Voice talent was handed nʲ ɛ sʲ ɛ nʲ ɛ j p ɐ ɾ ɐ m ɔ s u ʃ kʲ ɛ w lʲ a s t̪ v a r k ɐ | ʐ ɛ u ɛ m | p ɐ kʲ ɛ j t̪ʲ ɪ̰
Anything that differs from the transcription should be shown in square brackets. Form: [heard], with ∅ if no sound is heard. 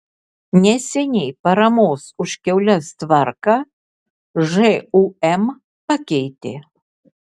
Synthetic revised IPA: nʲ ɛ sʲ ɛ nʲ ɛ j p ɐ ɾ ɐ m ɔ s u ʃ kʲ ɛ w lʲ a s t̪ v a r k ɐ | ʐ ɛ u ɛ m | p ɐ kʲ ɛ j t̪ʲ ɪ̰